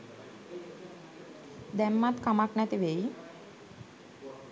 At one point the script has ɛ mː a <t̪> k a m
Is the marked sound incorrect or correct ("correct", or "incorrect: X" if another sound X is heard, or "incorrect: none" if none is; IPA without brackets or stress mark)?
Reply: correct